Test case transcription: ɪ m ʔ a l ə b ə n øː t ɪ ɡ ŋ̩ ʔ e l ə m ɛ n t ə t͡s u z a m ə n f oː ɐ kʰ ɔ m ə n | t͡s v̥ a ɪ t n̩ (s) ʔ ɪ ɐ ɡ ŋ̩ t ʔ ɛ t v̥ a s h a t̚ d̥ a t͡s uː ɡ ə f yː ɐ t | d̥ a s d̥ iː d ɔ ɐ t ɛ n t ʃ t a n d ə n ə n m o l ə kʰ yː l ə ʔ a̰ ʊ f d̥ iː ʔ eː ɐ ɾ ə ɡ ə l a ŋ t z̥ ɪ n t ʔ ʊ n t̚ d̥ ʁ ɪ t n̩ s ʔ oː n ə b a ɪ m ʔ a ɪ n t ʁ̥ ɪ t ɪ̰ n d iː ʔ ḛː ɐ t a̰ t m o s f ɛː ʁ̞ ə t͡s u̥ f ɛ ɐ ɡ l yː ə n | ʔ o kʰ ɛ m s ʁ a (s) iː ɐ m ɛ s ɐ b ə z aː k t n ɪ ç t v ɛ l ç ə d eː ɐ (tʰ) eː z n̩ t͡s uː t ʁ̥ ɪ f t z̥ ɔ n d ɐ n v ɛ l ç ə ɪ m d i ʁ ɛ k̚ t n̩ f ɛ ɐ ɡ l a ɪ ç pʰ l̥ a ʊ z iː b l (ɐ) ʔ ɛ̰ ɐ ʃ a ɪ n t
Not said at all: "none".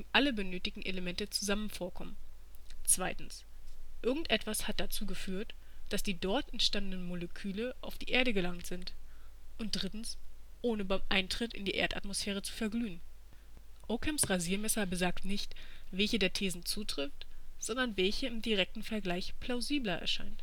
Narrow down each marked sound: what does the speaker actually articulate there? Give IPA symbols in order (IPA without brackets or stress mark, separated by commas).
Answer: s, z, tʰ, ɐ